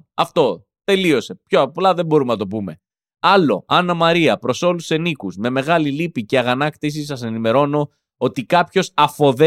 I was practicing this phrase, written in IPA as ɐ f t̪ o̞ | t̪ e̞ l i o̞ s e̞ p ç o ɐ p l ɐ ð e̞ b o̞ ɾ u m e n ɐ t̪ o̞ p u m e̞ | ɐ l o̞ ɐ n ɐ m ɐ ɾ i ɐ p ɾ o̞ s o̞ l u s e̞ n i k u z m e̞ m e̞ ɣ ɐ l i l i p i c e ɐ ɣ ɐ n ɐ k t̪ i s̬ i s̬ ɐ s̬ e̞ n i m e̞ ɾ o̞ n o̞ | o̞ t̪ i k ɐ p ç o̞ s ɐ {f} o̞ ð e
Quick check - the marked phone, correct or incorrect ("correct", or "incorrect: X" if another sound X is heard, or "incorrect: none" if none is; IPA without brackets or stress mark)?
correct